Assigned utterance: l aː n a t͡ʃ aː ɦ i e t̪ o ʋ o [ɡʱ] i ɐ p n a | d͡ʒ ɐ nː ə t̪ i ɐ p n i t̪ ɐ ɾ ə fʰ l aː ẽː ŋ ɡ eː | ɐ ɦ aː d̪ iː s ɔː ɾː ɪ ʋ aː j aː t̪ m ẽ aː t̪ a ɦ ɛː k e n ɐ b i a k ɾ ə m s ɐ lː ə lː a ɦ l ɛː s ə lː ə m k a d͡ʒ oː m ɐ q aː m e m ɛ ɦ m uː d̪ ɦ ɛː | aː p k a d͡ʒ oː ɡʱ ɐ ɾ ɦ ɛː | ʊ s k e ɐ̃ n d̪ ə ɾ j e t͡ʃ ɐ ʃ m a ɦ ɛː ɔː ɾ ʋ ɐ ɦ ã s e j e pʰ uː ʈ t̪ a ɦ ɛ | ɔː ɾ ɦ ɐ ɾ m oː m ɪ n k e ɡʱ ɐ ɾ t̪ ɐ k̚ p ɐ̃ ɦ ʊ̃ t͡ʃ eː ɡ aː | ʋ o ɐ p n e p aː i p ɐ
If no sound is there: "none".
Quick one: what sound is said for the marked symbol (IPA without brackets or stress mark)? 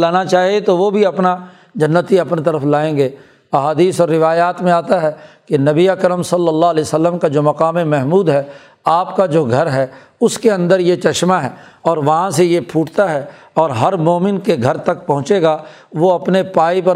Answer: bʱ